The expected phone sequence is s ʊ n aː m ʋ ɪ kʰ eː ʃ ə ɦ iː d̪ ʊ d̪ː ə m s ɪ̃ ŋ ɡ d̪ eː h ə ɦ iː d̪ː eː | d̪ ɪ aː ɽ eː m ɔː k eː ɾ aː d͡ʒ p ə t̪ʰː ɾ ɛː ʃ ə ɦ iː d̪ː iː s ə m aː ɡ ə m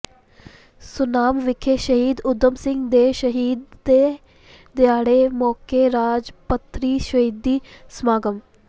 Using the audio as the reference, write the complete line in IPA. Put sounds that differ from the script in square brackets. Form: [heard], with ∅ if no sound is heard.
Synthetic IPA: s ʊ n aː m ʋ ɪ kʰ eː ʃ ə ɦ iː d̪ ʊ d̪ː ə m s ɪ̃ ŋ ɡ d̪ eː [ʃ] ə ɦ iː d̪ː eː | d̪ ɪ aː ɽ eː m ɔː k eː ɾ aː d͡ʒ p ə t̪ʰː ɾ [iː] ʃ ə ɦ iː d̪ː iː s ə m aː ɡ ə m